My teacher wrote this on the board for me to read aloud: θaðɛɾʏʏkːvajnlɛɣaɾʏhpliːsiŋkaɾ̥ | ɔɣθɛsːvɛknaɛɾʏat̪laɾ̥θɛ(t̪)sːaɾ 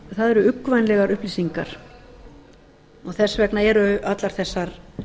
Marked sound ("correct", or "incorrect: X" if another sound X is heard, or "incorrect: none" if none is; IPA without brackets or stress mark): incorrect: none